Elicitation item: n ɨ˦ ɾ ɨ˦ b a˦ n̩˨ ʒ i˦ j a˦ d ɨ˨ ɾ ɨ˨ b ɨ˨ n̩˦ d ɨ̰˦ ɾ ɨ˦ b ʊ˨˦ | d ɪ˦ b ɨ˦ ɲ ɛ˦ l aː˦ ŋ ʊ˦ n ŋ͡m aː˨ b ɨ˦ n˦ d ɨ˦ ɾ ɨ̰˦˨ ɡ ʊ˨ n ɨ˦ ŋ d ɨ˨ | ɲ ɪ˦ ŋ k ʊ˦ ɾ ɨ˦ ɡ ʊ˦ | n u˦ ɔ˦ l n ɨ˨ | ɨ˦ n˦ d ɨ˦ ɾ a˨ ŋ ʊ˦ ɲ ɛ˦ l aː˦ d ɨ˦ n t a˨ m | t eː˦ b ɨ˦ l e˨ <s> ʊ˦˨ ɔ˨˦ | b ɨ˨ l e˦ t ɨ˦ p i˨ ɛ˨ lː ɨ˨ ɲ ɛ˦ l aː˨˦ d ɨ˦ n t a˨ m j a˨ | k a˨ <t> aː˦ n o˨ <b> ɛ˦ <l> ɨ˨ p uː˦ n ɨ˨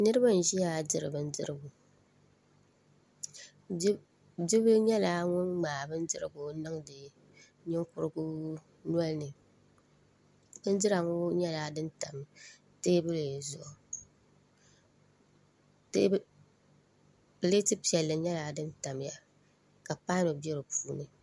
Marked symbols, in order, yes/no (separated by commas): no, no, yes, no